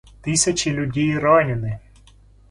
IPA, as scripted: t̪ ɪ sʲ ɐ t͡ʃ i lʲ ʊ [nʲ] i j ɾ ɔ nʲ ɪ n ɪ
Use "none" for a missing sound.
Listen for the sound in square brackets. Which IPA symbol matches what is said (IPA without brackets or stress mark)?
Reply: dʲ